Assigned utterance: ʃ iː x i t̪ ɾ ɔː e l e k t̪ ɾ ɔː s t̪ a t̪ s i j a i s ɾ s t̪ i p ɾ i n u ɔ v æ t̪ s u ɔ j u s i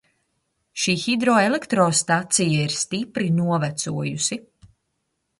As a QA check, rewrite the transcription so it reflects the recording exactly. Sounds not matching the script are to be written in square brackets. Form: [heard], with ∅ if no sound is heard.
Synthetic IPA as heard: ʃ iː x i [d̪] ɾ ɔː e l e k t̪ ɾ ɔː s t̪ a t̪ s i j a i [∅] ɾ s t̪ i p ɾ i n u ɔ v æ t̪ s u ɔ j u s i